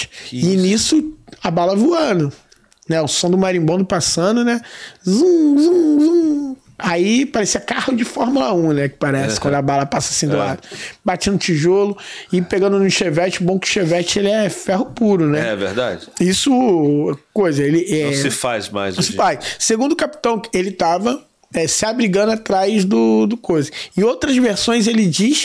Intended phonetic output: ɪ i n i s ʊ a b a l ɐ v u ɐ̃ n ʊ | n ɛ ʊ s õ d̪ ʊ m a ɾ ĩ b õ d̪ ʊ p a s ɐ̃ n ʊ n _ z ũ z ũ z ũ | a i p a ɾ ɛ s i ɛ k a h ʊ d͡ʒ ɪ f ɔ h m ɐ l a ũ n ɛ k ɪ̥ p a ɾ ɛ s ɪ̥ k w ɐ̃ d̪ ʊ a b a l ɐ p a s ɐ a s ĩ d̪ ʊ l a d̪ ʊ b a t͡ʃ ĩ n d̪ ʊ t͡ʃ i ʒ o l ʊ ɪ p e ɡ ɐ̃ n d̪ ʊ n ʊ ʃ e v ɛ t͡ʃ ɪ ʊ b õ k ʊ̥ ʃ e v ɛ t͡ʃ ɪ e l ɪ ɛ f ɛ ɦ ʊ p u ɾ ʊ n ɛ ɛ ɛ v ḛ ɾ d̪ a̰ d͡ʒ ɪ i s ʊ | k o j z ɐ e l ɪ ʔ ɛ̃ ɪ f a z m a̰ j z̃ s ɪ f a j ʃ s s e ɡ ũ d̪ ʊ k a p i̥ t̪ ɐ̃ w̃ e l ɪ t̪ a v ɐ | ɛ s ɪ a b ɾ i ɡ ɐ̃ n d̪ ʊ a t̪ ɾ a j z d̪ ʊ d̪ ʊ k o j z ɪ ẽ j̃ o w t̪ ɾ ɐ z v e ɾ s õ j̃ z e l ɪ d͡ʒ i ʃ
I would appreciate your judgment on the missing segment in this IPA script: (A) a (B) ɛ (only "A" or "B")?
B